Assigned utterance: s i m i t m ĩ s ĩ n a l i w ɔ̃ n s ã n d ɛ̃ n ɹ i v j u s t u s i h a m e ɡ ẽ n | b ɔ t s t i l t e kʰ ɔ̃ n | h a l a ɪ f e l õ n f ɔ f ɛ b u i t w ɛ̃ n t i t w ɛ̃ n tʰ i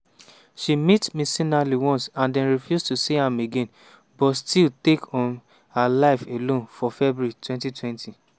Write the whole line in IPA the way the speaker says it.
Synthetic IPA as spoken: ʃ i m i t m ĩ s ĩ n a l i w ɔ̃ n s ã n d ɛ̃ n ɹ i f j u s t u s i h a m e ɡ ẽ n | b ɔ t s t i l t e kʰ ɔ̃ n | h a l a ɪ f e l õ n f ɔ f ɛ b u i t w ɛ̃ n t i t w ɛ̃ n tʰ i